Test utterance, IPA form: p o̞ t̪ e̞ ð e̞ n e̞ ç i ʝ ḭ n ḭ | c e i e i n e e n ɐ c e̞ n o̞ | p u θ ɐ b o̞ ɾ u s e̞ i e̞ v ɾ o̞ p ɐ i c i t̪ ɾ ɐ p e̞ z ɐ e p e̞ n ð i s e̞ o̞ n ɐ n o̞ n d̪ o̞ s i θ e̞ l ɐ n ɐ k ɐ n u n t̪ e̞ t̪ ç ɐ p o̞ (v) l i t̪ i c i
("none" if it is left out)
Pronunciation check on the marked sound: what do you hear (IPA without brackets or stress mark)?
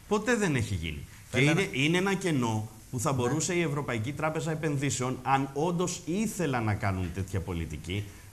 none